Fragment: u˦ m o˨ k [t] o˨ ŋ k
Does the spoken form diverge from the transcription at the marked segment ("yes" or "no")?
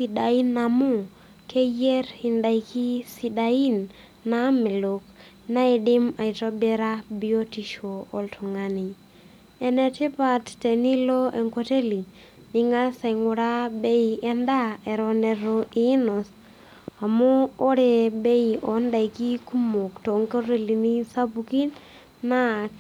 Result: no